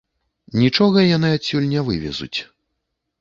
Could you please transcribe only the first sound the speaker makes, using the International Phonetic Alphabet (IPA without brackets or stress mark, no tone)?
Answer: nʲ